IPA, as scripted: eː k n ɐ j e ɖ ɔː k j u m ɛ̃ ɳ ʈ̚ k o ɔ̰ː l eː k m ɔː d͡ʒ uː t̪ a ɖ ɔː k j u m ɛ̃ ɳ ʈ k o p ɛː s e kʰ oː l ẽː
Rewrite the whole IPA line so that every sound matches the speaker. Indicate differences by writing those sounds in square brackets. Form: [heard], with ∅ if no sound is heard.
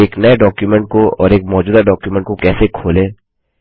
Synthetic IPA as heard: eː k n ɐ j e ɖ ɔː k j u m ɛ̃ ɳ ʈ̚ k o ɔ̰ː [ɾ] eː k m ɔː d͡ʒ uː [d̪] a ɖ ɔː k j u m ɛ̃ ɳ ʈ k o [k] ɛː s e kʰ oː l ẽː

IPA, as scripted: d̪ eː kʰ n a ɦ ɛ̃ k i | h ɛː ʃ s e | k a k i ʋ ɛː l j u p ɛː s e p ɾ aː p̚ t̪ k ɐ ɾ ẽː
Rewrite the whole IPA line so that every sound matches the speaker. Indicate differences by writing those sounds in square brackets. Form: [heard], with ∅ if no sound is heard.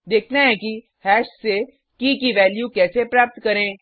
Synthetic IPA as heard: d̪ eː kʰ n a ɦ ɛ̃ k i | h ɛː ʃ s e | k [i] k i ʋ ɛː l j u [k] ɛː s e p ɾ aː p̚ t̪ k ɐ ɾ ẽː

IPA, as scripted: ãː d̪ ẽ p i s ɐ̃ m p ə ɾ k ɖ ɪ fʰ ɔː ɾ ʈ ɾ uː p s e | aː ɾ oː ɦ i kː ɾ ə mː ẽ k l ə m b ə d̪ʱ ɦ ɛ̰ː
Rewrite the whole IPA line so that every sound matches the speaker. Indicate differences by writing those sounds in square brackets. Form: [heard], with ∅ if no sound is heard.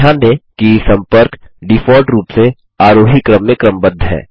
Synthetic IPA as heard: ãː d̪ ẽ [k] i s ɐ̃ m p ə ɾ k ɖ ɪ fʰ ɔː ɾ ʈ ɾ uː p s e | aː ɾ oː ɦ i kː ɾ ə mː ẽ k [ɾ] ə m b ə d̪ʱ ɦ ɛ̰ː

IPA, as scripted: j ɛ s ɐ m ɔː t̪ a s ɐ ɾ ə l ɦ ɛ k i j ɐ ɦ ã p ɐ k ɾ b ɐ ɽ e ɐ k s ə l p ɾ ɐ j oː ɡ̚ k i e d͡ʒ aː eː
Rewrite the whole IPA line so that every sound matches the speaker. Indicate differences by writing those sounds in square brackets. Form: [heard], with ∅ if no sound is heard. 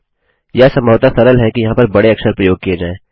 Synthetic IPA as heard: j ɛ s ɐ m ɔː t̪ a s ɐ ɾ ə l ɦ ɛ k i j ɐ ɦ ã p ɐ [∅] ɾ b ɐ ɽ e ɐ k s ə [ɾ] p ɾ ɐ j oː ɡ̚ k i e d͡ʒ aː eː

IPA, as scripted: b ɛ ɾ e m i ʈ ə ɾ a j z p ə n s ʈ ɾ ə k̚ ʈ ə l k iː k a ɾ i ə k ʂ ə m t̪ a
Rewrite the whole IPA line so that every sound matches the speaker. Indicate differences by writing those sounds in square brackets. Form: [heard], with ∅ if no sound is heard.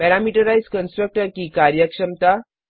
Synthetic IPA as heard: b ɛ ɾ [a] m i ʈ ə ɾ a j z [k] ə n s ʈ ɾ ə k̚ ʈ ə [ɾ] k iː k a ɾ [j] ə k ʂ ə m t̪ a

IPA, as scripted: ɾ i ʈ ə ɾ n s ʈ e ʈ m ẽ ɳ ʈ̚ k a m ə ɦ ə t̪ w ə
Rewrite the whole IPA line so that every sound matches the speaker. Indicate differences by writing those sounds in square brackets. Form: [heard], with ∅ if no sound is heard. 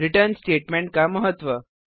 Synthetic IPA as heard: ɾ i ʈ ə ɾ n s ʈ e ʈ m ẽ ɳ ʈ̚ k a m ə ɦ ə t̪ [ʋ] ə

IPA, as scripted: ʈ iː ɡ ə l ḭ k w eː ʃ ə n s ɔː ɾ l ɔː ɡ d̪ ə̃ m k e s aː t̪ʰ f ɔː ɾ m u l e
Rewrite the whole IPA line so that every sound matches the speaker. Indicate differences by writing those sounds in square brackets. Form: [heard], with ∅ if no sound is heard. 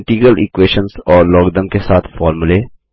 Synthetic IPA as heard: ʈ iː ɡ ə l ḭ k w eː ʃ ə n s ɔː ɾ l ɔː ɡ d̪ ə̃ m k e s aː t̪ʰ f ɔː ɾ m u l e

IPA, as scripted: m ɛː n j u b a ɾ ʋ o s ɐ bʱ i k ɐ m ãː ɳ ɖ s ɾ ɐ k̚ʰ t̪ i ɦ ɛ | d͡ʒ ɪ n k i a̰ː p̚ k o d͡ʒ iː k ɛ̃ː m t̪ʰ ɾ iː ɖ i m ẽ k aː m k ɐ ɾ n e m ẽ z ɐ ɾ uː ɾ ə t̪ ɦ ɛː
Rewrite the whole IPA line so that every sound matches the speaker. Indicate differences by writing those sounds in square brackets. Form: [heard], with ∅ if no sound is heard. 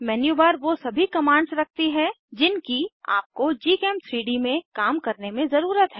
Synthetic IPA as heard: m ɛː n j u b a ɾ ʋ o s ɐ bʱ i k ɐ m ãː ɳ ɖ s ɾ ɐ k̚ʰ t̪ i ɦ ɛ | d͡ʒ ɪ n k i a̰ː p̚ k o d͡ʒ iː k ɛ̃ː m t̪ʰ ɾ iː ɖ i m ẽ k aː m k ɐ ɾ n e m ẽ z ɐ ɾ uː ɾ ə t̪ ɦ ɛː

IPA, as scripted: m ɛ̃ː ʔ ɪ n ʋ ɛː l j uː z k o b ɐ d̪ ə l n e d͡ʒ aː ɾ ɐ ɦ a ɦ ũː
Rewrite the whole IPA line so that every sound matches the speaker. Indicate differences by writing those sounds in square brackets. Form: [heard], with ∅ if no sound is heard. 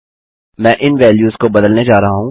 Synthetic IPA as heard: m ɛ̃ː ʔ ɪ n ʋ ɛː l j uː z k o b ɐ d̪ ə l n e d͡ʒ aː ɾ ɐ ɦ a ɦ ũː

